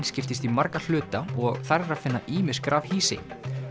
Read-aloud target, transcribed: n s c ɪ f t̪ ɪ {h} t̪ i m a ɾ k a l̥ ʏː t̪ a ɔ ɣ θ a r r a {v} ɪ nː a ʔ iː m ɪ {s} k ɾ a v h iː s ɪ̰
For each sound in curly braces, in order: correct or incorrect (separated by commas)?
incorrect, incorrect, correct